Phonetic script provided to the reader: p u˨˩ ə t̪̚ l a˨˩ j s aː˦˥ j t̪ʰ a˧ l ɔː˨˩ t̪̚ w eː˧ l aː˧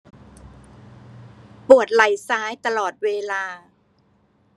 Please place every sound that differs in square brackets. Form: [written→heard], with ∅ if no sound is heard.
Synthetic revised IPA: p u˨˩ ə t̪̚ l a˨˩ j s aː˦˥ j [t̪ʰ→t̪] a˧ l ɔː˨˩ t̪̚ w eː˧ l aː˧